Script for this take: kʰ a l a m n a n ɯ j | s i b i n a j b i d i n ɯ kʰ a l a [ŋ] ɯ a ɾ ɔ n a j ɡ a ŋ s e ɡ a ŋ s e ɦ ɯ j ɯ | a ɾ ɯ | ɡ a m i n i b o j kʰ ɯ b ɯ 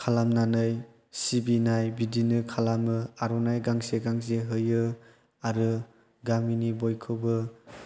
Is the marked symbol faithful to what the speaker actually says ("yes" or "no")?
no